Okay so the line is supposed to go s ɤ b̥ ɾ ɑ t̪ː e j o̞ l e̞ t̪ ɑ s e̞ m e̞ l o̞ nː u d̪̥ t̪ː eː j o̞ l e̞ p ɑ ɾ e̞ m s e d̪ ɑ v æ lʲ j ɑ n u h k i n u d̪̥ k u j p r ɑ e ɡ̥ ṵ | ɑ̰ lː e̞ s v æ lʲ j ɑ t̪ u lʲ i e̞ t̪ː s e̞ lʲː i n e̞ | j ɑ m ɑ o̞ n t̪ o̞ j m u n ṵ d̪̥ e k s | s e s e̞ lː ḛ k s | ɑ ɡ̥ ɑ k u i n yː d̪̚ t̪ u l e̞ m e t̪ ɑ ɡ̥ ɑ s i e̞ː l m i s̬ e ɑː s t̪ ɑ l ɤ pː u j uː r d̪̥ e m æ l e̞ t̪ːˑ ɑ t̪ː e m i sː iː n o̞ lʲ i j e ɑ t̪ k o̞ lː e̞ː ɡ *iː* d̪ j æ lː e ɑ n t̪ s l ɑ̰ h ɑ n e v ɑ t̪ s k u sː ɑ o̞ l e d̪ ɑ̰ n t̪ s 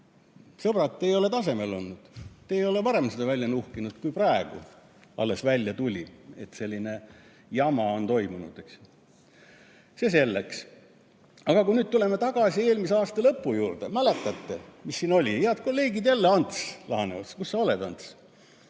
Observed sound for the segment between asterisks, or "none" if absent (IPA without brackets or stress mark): i